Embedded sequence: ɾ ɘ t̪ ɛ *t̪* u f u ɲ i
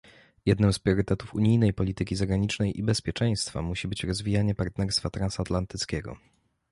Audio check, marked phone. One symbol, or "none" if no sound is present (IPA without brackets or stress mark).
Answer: t̪